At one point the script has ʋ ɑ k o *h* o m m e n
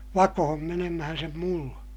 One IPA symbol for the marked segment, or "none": h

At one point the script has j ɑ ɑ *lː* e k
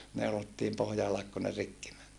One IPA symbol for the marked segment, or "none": l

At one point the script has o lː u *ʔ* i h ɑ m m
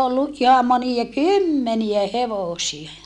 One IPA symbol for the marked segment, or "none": ʔ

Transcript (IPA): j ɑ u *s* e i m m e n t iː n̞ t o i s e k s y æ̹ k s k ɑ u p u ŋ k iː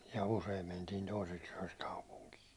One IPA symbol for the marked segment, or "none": s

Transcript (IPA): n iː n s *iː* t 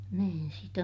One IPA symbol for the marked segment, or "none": i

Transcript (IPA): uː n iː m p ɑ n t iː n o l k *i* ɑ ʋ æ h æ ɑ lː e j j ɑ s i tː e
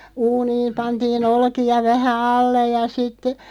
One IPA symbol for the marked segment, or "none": i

